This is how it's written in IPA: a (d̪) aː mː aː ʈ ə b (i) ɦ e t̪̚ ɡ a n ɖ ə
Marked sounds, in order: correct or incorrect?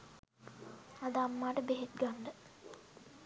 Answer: correct, incorrect: e

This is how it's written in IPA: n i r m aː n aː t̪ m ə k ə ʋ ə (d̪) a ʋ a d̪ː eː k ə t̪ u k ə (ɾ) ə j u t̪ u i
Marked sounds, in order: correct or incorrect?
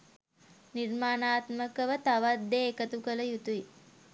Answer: incorrect: t̪, incorrect: l

